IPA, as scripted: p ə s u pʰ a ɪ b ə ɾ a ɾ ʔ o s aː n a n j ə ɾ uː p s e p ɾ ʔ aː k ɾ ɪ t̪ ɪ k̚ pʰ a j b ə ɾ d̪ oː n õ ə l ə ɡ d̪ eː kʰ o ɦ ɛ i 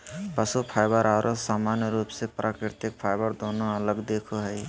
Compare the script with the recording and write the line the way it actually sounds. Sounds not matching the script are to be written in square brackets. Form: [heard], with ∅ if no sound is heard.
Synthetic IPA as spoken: p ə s u pʰ a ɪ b ə ɾ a ɾ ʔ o s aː [m] a n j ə ɾ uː p s e p ɾ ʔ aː k ɾ ɪ t̪ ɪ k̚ pʰ a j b ə ɾ d̪ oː n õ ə l ə ɡ d̪ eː kʰ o ɦ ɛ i